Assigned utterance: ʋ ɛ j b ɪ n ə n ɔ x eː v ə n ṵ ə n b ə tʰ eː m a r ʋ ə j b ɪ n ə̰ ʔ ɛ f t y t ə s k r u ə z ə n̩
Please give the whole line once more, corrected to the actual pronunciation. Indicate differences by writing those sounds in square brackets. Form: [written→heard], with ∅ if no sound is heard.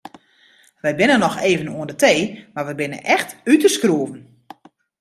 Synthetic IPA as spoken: ʋ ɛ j b ɪ n ə n ɔ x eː v ə n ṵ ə n [b→d] ə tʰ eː m a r ʋ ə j b ɪ n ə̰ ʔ ɛ [f→x] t y t ə s k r u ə [z→v] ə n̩